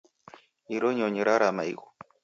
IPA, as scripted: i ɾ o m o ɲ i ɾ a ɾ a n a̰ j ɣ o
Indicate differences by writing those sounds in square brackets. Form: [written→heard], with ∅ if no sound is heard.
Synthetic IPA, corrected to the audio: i ɾ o [m→ɲ] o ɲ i ɾ a ɾ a [n→m] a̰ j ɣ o